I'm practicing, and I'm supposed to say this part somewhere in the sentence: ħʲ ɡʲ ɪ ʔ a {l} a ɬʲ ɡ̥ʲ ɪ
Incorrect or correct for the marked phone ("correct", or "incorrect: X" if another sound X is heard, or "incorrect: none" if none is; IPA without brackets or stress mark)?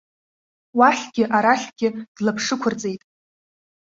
incorrect: ɾ